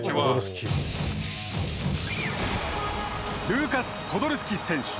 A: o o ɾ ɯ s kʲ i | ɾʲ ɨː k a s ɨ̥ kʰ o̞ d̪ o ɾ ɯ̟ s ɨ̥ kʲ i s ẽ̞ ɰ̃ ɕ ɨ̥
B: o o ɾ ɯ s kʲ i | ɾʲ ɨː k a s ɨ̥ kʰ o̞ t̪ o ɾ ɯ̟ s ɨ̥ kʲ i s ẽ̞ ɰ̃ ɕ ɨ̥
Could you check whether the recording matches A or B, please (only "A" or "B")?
A